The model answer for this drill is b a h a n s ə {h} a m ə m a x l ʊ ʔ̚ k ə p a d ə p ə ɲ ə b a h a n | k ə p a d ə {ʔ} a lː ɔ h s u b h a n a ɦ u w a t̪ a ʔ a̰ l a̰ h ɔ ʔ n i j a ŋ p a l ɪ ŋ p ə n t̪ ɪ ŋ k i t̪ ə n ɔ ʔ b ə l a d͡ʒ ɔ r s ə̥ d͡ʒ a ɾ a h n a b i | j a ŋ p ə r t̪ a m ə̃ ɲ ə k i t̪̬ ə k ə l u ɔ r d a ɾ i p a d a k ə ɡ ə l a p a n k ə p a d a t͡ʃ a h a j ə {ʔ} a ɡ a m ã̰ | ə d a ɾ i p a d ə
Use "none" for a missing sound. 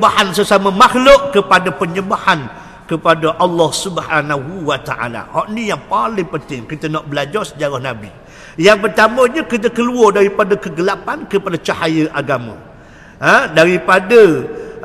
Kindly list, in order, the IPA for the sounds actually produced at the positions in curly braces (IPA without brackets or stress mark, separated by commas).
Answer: s, ʔ, ʔ